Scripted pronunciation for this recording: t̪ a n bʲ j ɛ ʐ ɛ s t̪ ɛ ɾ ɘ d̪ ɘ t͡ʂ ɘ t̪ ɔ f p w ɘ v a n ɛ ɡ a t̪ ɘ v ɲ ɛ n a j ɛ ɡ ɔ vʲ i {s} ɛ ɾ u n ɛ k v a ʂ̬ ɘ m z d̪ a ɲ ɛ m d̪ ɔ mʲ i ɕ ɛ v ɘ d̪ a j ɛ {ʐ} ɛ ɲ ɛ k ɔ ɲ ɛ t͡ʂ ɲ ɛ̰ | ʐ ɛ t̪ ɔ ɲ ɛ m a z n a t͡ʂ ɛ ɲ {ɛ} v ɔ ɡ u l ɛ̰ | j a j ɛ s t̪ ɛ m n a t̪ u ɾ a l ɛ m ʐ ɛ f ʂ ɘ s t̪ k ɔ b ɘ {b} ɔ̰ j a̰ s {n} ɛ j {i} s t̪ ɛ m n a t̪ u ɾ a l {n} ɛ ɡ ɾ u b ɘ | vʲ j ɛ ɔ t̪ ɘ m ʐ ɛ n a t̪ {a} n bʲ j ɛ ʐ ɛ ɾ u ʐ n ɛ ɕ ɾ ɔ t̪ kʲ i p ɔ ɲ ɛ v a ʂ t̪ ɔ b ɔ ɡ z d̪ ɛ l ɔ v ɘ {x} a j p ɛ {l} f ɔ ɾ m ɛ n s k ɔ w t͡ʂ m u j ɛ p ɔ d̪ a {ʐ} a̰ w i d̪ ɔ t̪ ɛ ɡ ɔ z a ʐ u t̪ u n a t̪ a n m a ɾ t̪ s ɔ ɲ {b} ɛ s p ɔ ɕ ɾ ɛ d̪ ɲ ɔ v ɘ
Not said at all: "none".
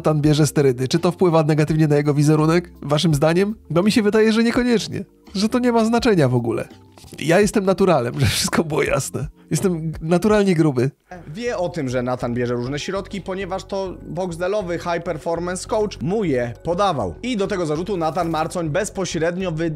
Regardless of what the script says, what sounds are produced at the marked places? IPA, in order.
z, ʐ, a, w, n, ɛ, ɲ, a, x, ɾ, v, b

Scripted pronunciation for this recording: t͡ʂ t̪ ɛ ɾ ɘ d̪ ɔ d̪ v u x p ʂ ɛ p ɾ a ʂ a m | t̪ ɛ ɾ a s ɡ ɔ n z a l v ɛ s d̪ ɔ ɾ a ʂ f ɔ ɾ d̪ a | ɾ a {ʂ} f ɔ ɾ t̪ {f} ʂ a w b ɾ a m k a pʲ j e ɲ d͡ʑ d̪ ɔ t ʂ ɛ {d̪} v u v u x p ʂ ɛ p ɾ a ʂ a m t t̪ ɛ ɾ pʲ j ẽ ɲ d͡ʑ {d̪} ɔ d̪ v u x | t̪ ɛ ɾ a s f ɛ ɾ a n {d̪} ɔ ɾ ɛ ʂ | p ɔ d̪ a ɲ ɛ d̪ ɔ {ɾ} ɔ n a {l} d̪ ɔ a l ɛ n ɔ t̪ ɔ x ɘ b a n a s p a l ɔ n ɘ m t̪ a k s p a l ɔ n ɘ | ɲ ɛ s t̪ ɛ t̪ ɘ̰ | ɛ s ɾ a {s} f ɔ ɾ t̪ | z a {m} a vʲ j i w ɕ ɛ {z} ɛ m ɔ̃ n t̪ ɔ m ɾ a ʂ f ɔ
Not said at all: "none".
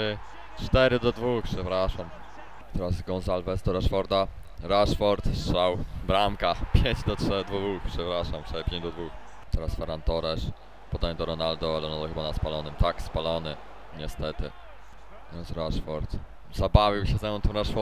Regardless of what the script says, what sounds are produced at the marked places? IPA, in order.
ʂ, s, d̪, d̪, t̪, ɾ, l, ʂ, b, z

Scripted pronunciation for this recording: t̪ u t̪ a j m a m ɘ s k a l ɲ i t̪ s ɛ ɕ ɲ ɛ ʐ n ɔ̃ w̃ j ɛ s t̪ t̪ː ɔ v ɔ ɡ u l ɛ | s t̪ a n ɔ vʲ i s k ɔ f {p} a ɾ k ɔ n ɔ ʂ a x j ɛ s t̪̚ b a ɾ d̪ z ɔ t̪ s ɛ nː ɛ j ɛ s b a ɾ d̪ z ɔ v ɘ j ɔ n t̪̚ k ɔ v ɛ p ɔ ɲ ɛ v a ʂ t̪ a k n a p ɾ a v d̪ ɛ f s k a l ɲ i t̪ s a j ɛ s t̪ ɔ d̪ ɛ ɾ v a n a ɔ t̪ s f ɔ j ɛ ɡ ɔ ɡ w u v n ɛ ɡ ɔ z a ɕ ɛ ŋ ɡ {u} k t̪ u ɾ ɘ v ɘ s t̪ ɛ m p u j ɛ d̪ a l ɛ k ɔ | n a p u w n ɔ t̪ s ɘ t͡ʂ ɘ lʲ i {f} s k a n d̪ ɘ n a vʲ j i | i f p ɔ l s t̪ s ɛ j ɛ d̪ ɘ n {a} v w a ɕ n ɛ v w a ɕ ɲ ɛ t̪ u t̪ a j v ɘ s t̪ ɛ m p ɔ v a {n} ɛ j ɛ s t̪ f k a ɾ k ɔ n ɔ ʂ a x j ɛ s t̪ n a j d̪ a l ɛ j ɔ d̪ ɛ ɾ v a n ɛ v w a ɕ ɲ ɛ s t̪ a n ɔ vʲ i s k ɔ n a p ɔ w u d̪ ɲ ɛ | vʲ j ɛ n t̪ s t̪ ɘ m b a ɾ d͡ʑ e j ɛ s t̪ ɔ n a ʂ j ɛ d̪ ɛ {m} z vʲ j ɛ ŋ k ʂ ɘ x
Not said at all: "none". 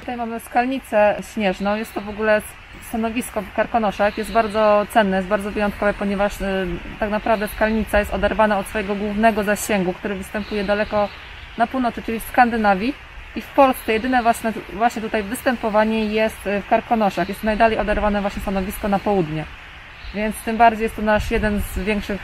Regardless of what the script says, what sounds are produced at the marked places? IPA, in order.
k, u, f, ɛ, ɲ, n

